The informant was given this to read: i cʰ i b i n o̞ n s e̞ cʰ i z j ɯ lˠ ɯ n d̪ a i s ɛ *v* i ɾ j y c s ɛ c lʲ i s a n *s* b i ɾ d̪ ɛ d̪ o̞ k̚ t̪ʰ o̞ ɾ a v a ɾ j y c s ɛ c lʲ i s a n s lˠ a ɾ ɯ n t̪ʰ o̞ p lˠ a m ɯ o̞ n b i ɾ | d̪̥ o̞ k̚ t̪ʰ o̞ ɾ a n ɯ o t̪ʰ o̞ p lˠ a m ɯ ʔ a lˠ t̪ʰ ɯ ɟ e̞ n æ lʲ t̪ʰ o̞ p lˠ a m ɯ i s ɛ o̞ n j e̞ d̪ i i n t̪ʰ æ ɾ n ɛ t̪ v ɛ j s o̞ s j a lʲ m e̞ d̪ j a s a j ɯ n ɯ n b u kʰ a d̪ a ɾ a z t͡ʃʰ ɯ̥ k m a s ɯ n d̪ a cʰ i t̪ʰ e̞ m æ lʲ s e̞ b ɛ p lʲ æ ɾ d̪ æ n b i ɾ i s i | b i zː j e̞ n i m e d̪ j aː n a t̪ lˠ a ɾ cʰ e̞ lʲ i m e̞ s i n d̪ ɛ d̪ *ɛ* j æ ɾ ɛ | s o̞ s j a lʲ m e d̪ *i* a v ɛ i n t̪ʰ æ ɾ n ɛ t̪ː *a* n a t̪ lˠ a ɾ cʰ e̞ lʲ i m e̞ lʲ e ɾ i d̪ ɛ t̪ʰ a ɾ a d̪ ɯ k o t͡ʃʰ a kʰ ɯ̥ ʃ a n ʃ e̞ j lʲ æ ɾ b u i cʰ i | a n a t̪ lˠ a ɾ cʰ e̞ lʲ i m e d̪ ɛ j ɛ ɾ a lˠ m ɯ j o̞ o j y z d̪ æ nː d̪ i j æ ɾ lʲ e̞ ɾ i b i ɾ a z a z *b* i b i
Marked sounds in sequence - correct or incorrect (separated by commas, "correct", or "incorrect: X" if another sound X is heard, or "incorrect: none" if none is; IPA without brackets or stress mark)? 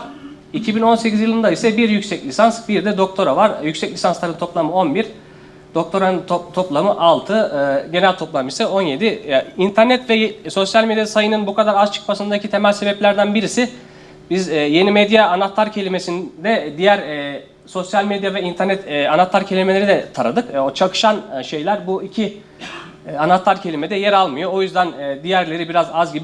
incorrect: b, correct, incorrect: i, incorrect: j, correct, incorrect: ɟ